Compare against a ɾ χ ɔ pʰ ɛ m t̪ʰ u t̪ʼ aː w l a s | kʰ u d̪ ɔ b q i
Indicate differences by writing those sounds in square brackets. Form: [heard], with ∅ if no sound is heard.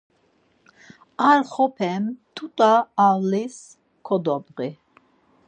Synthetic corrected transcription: a ɾ χ ɔ pʰ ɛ m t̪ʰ u t̪ʼ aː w l [i] s | kʰ [ɔ] d̪ ɔ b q i

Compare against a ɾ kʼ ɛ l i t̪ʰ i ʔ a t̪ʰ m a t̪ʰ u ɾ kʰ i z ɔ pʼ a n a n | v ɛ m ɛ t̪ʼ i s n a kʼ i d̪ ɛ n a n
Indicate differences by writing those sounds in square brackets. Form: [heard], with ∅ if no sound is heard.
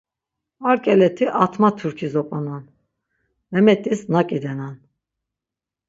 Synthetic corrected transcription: a ɾ kʼ ɛ l [ɛ] t̪ʰ i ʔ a t̪ʰ m a t̪ʰ u ɾ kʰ i z ɔ pʼ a n a n | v ɛ m ɛ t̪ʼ i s n a kʼ i d̪ ɛ n a n

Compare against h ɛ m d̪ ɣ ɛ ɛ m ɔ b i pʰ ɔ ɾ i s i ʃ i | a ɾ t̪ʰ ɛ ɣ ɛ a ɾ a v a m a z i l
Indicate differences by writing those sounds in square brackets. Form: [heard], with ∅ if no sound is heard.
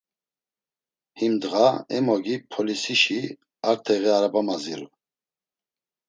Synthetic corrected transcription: h [i] m d̪ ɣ [a] ɛ m ɔ [ɡ] i pʰ ɔ [l] i s i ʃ i | a ɾ t̪ʰ ɛ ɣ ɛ a ɾ a [b] a m a z i l

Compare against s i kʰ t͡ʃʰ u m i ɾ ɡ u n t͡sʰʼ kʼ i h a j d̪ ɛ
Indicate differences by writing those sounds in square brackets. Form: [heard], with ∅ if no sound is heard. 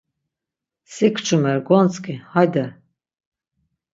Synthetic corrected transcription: s i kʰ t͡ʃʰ u m [ɛ] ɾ ɡ [ɔ] n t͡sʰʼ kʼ i h a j d̪ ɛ

